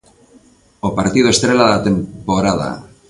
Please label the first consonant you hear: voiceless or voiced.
voiceless